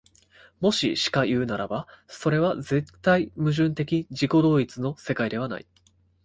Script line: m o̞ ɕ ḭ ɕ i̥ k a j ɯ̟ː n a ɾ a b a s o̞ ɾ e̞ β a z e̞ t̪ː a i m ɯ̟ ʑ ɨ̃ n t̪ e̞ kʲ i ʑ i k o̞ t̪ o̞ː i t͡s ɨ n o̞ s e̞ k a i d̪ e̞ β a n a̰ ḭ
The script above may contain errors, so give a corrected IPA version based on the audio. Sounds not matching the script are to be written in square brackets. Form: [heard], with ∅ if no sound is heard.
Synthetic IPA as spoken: m o̞ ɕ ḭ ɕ i̥ k a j ɯ̟ː n a ɾ a b a s o̞ ɾ e̞ β a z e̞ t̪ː a i m ɯ̟ ʑ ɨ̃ n t̪ e̞ kʲ i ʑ i k o̞ [d̪] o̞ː i t͡s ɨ n o̞ s e̞ k a i d̪ e̞ β a n a̰ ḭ